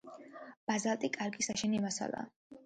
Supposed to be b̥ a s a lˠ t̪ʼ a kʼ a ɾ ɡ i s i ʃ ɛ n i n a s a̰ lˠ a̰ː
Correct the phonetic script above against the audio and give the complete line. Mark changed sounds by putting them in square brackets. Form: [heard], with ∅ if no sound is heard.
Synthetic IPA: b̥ a [z] a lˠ t̪ʼ [i] kʼ a ɾ ɡ i s [a] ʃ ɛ n i [m] a s a̰ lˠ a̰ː